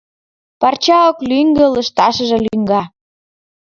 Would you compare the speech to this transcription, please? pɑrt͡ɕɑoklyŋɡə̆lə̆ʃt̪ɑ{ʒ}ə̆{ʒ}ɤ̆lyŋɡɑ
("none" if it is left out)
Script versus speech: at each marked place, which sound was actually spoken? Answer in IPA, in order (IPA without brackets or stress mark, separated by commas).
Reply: ʃ, ʒ